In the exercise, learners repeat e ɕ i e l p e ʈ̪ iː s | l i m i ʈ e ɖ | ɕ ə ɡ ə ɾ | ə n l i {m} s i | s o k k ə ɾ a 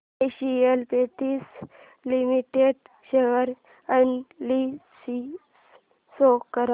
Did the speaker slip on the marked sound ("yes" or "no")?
yes